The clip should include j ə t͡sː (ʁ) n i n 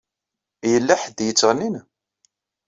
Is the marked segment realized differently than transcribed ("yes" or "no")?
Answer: no